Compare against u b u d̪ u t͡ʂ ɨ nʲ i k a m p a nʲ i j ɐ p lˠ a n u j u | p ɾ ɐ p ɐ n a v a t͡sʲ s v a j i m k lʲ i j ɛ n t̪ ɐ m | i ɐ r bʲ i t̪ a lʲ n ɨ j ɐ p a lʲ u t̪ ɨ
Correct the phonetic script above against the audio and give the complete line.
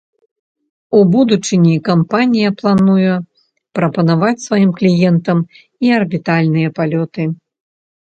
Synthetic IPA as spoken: u b u d̪ u t͡ʂ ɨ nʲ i k a m p a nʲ i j ɐ p lˠ a n u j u | p ɾ ɐ p ɐ n a v a t͡sʲ s v a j i m k lʲ i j ɛ n t̪ ɐ m | i ɐ r bʲ i t̪ a lʲ n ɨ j ɐ p a lʲ ɔ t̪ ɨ